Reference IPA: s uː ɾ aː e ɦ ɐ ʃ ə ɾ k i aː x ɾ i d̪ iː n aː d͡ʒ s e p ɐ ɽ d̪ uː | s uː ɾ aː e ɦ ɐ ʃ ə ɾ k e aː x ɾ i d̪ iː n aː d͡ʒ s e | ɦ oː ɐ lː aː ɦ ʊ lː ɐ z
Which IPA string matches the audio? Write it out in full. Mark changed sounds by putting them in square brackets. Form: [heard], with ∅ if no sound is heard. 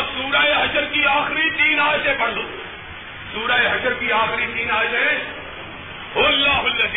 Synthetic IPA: s uː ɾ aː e ɦ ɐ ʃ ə ɾ k i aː x ɾ i [t̪] iː n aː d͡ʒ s e p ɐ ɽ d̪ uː | s uː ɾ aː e ɦ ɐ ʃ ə ɾ k [i] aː x ɾ i [t̪] iː n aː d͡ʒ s e | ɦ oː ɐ lː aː ɦ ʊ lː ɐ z